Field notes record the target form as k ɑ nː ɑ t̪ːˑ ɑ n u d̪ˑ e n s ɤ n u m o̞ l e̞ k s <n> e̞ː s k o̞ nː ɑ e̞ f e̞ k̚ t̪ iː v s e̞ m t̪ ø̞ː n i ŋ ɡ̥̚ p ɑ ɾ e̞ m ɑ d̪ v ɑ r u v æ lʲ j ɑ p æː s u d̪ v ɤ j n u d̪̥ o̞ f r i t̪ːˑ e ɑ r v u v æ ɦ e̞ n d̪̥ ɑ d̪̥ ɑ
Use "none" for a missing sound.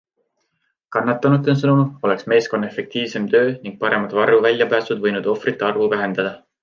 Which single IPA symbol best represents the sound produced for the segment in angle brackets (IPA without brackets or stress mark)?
m